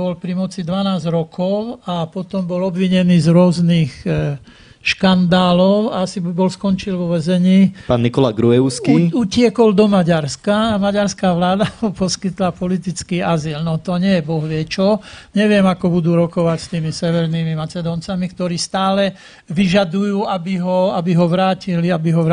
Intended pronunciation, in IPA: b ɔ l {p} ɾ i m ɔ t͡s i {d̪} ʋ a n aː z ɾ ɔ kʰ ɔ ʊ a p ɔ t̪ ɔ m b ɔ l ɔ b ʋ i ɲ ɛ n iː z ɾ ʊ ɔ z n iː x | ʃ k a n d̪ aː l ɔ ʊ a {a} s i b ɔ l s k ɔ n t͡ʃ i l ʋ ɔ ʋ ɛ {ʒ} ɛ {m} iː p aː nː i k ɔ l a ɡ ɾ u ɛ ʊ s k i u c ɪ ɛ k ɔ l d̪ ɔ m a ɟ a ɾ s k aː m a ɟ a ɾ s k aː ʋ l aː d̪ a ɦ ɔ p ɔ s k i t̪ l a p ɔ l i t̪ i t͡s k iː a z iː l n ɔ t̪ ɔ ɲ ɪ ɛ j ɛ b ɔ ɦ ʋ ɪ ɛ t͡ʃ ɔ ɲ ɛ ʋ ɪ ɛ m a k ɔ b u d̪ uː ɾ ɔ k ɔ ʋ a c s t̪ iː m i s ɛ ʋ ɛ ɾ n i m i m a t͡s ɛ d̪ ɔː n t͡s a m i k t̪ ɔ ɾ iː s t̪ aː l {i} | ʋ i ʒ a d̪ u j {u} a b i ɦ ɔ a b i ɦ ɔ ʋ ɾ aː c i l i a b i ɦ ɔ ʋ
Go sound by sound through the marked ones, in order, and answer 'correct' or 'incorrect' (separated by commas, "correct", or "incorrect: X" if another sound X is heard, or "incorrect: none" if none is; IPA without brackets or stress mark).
correct, correct, correct, incorrect: z, incorrect: ɲ, incorrect: ɛ, incorrect: uː